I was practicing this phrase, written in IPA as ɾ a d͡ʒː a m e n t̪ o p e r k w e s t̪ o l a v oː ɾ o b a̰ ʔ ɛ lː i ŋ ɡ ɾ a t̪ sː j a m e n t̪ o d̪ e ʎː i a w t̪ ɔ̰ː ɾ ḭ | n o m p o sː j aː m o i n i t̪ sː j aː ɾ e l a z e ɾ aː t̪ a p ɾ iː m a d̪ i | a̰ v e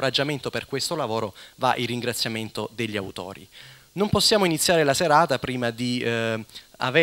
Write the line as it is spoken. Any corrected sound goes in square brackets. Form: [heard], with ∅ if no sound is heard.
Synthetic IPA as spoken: ɾ a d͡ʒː a m e n t̪ o p e r k w e s t̪ o l a v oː ɾ o [v] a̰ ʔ [i] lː i ŋ ɡ ɾ a t̪ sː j a m e n t̪ o d̪ e ʎː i a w t̪ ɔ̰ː ɾ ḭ | n o m p o sː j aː m o i n i t̪ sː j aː ɾ e l a [s] e ɾ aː t̪ a p ɾ iː m a d̪ i | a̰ v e